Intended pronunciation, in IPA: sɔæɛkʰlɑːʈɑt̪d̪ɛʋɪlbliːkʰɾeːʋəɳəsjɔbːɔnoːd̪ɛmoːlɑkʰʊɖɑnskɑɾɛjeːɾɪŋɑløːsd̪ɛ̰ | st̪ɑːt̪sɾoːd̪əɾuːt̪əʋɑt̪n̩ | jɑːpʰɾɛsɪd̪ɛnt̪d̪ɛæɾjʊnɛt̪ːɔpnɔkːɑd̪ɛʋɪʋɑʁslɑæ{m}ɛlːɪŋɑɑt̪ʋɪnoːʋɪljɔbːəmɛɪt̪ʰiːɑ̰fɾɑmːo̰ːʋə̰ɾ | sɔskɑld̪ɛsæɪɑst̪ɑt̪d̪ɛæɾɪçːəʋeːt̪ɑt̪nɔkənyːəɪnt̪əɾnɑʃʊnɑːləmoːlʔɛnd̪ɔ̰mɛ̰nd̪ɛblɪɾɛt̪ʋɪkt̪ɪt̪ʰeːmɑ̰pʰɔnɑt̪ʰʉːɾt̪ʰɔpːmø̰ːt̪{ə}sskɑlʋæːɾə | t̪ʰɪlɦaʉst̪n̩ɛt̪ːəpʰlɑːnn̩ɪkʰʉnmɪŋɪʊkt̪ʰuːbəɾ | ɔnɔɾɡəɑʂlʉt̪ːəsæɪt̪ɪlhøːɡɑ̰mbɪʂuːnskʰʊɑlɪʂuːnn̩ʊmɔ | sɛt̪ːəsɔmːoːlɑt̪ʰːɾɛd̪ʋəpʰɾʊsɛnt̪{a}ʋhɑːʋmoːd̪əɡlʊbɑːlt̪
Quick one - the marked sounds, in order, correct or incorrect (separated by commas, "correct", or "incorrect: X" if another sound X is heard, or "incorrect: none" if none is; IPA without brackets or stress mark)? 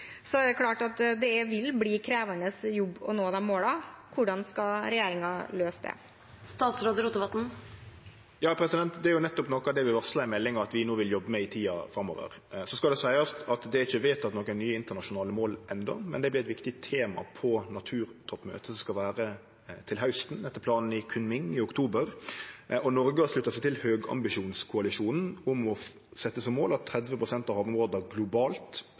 correct, correct, incorrect: ɑ